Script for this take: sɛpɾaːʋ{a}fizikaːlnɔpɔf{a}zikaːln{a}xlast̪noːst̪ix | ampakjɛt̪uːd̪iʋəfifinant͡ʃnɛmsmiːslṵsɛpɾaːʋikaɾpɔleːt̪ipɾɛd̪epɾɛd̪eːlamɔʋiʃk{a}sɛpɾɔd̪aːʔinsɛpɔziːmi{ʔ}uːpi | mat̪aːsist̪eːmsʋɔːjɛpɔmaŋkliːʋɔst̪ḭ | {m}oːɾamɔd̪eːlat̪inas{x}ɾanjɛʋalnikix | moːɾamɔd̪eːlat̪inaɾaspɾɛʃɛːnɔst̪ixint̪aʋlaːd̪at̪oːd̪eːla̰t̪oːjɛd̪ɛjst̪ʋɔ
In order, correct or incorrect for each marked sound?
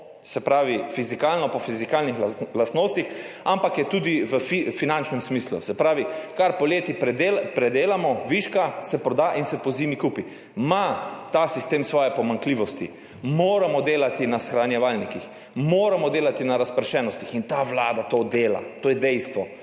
incorrect, incorrect, incorrect, correct, incorrect, correct, correct

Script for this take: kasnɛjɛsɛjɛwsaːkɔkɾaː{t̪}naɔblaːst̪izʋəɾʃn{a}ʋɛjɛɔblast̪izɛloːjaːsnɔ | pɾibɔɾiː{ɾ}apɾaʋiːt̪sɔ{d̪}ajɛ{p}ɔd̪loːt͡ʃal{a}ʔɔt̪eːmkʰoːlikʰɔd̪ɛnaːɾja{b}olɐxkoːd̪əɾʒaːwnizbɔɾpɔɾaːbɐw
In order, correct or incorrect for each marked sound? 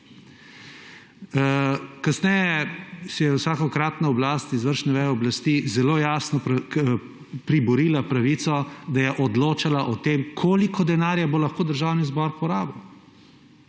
correct, incorrect, incorrect, correct, incorrect, correct, correct

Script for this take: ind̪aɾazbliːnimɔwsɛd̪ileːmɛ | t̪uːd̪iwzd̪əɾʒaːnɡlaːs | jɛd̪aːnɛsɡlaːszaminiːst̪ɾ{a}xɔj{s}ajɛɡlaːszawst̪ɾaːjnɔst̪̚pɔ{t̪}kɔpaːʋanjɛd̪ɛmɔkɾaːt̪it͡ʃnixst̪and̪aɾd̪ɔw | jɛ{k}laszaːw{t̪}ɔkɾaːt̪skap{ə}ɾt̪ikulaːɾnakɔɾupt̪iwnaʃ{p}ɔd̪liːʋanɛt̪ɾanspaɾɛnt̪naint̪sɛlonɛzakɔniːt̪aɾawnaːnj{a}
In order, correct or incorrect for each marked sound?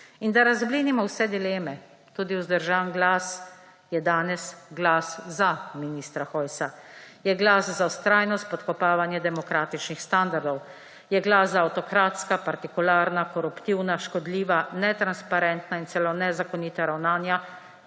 correct, correct, correct, incorrect, correct, incorrect, incorrect, correct

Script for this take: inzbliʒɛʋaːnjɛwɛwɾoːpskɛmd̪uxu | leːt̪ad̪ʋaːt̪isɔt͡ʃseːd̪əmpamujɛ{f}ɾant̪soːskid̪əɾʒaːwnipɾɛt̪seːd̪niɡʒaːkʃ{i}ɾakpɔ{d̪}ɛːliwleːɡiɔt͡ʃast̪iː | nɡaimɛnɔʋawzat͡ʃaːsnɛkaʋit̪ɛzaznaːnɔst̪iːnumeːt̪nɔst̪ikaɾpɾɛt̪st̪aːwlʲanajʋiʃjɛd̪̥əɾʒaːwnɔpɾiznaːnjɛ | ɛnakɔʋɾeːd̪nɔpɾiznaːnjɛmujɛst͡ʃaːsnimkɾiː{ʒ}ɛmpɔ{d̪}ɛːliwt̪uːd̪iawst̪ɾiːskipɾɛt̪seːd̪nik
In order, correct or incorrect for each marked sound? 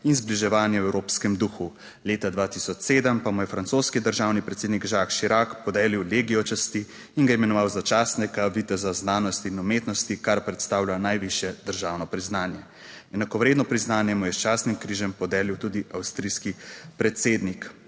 correct, correct, correct, correct, correct

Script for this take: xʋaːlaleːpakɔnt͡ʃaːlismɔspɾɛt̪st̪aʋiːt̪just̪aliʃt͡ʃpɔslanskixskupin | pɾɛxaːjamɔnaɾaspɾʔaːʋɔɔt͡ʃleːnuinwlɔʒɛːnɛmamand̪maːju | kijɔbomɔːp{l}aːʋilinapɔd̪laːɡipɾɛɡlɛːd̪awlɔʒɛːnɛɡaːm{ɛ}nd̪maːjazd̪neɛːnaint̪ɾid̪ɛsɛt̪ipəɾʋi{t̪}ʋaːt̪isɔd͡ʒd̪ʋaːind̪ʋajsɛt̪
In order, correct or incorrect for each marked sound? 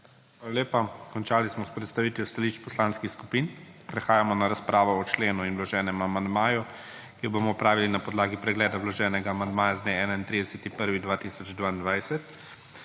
incorrect, incorrect, incorrect

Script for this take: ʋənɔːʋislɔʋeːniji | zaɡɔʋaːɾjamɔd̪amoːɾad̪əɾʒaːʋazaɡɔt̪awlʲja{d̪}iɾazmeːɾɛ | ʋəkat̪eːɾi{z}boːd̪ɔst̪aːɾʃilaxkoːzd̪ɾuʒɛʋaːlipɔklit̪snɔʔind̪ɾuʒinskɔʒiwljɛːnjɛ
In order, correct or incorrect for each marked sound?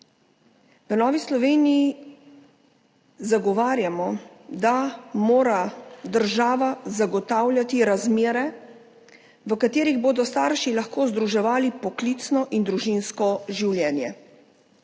incorrect, incorrect

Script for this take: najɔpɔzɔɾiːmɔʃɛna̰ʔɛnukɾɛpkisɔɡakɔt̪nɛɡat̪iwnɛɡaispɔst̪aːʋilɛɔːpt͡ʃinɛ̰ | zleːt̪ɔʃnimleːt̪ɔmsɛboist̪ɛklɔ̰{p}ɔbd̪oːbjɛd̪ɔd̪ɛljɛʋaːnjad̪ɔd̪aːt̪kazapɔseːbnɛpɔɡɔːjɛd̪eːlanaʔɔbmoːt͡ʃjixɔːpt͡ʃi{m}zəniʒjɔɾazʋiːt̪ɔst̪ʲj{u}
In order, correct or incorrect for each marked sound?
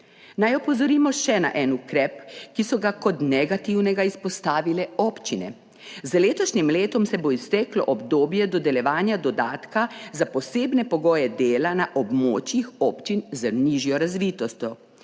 incorrect, incorrect, incorrect

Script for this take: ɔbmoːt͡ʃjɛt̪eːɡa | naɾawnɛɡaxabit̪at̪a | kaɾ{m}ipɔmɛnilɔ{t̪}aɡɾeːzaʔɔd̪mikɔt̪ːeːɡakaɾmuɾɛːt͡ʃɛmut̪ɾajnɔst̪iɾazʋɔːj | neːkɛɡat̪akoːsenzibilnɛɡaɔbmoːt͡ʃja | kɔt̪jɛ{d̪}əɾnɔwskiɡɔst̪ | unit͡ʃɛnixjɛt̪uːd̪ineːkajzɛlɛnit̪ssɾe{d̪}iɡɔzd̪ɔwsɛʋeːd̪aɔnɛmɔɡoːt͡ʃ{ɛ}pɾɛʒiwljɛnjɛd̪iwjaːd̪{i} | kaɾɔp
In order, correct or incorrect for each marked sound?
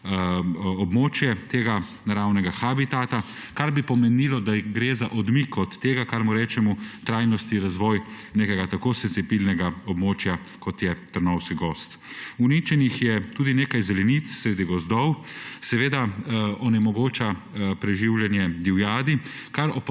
incorrect, incorrect, incorrect, correct, incorrect, correct

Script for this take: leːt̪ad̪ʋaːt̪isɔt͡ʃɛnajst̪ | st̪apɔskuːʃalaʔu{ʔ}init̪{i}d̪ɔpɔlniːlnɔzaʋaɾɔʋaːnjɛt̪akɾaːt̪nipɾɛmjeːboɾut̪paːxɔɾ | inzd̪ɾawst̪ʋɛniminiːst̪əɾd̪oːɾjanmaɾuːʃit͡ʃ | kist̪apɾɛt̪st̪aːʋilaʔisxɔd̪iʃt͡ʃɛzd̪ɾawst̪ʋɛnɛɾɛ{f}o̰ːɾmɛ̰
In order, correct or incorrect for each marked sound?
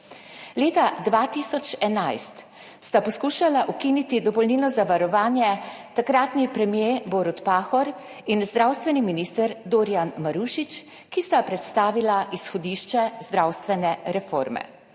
incorrect, correct, correct

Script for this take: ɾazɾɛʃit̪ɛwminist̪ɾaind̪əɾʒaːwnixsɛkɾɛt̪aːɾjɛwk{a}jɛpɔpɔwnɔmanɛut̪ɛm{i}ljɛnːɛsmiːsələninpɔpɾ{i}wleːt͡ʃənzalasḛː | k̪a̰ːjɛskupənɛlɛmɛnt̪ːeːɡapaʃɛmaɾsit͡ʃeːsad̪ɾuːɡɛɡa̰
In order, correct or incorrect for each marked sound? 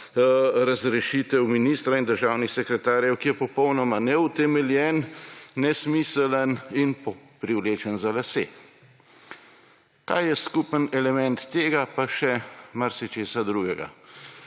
incorrect, incorrect, correct

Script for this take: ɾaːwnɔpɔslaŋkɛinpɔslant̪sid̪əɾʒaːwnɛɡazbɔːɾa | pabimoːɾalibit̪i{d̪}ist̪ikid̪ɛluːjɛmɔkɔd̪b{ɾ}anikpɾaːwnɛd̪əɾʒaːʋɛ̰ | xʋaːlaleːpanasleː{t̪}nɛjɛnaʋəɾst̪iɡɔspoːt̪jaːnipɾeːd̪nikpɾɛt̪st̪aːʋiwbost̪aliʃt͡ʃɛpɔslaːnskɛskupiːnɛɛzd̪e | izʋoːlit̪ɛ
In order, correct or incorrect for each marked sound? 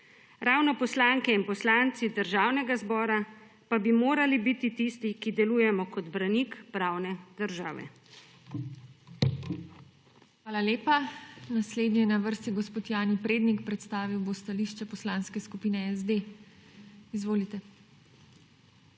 incorrect, correct, incorrect

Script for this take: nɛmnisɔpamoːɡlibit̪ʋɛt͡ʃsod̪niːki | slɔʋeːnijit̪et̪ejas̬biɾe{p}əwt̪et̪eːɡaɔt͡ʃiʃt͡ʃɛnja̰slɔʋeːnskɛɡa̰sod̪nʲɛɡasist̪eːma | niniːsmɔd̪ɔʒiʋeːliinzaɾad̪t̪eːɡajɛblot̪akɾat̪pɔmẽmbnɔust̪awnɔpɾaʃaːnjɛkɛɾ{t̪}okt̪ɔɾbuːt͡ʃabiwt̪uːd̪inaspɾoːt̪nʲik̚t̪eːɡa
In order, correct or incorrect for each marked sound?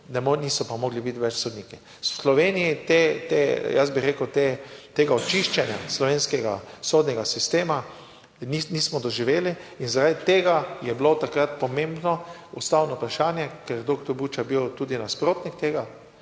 incorrect, incorrect

